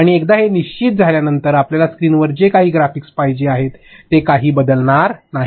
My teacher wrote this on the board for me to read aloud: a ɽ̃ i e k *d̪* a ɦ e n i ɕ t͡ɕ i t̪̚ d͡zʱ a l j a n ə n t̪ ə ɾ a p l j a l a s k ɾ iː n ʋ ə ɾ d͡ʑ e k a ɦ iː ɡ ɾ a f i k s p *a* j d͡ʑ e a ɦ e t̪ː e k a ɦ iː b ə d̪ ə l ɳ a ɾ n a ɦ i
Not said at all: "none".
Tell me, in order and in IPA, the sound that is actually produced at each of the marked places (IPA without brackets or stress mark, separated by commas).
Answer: d̪, a